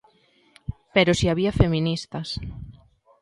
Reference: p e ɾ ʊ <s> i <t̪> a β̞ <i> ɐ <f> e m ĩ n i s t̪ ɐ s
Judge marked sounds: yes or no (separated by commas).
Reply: yes, no, yes, yes